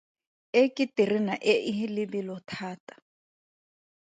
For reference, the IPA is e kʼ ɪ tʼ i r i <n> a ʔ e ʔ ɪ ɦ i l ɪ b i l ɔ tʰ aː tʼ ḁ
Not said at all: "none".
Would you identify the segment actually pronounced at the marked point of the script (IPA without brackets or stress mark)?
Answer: n